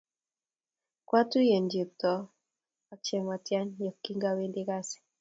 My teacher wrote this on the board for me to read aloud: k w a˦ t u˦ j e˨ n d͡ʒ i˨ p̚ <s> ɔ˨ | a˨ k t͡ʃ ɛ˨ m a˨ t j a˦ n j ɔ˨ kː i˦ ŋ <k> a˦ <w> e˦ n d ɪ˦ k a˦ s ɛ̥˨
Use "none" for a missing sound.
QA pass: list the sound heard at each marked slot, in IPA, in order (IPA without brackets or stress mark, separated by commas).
t, ɡ, w